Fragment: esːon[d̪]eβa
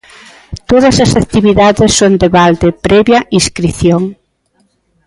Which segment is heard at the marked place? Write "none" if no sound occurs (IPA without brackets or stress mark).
d̪